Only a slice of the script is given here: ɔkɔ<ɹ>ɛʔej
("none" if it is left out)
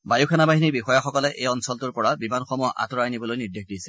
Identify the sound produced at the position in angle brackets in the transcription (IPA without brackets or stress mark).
l